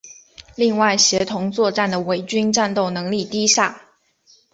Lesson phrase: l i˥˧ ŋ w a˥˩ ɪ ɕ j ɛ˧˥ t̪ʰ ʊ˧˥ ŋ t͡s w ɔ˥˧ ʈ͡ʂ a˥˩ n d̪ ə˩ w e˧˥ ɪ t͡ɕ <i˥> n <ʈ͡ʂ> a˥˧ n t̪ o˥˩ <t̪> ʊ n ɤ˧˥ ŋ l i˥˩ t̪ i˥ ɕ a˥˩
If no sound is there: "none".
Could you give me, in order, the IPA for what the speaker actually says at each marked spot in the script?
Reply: y˥, ʈ͡ʂ, none

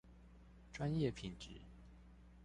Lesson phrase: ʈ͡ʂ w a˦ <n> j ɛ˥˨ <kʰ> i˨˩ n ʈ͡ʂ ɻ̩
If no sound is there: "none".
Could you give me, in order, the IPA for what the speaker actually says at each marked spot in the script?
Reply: n, pʰ

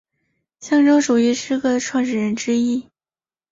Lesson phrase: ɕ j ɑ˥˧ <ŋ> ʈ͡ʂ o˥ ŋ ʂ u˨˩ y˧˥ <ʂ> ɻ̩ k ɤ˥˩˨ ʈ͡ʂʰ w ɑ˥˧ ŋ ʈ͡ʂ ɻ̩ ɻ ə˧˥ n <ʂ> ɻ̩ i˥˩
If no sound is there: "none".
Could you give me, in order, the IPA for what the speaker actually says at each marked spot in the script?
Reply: ŋ, ʂ, ʈ͡ʂ

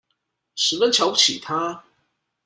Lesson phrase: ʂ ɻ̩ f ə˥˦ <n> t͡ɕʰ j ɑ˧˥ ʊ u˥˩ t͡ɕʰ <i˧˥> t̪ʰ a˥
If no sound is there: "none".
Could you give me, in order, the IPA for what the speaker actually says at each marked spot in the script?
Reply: n, i˨˩

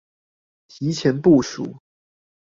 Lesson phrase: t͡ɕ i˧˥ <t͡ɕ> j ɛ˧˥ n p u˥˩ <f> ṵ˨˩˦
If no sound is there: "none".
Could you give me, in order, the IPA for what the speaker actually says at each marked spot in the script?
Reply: t͡ɕʰ, ʂ

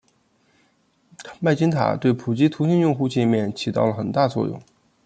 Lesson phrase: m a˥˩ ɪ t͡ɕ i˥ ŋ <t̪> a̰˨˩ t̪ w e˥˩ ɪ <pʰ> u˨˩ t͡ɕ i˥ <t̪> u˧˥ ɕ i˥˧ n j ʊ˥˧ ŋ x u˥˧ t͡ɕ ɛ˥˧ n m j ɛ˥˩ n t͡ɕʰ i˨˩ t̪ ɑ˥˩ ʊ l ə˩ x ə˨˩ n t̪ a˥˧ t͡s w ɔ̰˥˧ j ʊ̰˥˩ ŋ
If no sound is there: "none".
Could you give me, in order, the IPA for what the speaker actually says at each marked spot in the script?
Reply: t̪ʰ, pʰ, t̪ʰ

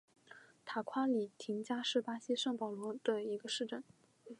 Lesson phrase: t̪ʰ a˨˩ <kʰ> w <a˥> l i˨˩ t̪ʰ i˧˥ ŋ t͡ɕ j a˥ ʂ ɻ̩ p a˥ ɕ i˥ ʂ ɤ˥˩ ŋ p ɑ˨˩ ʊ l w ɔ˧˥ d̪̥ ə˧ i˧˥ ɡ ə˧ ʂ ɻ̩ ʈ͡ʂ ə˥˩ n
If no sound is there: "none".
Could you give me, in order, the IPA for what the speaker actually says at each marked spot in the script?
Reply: kʰ, a˥

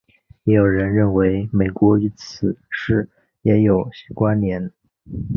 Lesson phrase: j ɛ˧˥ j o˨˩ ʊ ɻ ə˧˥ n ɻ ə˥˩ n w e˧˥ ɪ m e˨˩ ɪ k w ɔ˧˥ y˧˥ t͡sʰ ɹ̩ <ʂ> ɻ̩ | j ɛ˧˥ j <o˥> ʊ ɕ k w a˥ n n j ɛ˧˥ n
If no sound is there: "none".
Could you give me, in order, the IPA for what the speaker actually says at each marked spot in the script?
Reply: ʂ, o˨˩

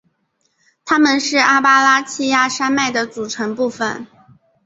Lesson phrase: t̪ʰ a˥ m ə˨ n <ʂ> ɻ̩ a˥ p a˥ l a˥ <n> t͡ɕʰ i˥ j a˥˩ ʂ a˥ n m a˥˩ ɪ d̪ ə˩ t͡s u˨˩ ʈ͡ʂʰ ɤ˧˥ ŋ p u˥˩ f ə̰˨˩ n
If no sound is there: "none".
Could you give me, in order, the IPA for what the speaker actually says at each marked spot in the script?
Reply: ʂ, none

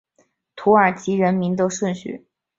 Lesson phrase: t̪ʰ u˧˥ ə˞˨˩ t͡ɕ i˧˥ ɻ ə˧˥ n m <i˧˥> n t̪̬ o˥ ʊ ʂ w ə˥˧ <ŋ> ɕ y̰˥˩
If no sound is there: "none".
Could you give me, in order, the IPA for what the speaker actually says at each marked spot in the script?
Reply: i˧˥, n

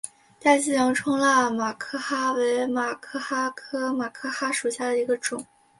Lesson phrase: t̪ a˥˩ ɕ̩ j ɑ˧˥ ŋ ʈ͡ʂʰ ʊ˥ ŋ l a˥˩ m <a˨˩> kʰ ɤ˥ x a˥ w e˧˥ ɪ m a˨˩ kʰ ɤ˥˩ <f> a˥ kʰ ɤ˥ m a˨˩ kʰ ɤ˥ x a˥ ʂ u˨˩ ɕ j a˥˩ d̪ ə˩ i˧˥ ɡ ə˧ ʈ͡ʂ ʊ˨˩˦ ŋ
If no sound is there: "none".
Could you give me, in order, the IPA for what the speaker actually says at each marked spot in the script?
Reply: a˨˩, x

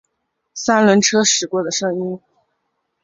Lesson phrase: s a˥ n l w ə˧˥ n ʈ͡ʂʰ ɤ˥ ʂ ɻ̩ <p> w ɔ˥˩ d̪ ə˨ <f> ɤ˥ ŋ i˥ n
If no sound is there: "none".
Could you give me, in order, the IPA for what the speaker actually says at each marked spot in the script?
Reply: k, ʂ

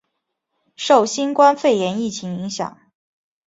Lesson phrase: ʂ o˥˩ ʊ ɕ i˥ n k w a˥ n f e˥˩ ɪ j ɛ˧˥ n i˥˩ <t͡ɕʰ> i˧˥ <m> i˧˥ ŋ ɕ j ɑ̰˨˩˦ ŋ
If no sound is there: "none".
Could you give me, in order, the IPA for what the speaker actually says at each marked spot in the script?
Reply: t͡ɕʰ, ŋ

